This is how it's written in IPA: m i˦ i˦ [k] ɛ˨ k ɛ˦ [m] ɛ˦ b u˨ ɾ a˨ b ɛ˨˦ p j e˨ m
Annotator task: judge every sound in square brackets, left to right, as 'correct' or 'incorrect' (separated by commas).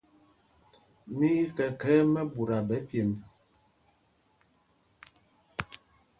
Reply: correct, correct